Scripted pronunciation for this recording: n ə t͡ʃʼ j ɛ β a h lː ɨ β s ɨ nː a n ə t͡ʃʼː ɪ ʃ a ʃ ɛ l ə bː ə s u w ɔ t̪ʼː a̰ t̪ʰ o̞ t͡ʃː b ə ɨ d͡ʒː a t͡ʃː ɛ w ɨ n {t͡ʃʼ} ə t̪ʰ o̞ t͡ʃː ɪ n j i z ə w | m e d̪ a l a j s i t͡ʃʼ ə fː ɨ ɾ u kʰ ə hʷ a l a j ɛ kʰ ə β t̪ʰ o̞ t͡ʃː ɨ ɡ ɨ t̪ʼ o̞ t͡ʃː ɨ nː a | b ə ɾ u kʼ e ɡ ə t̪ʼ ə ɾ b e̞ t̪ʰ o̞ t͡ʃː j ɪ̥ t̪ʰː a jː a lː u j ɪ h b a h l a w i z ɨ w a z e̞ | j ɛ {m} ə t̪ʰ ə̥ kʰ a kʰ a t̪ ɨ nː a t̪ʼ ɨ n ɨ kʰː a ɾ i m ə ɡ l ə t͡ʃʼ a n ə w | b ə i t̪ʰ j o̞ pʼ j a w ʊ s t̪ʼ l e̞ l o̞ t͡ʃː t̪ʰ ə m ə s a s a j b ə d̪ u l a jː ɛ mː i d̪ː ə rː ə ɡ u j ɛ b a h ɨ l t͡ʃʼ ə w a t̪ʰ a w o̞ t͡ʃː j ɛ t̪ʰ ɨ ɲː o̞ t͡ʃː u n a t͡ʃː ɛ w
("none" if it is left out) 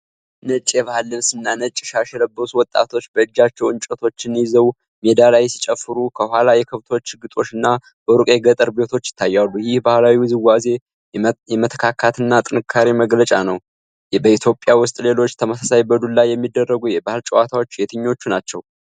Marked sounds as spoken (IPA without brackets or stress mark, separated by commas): t͡ʃʼ, m